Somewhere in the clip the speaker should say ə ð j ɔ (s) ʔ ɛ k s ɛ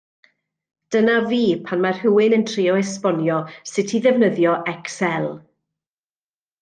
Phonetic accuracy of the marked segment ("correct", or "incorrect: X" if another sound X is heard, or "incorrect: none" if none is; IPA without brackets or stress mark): incorrect: none